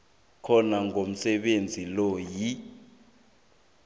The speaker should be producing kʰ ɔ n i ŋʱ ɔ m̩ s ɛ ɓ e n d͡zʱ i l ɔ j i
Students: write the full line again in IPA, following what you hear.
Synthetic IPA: kʰ ɔ n a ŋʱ o m̩ s ɛ ɓ e n d͡zʱ i l ɔ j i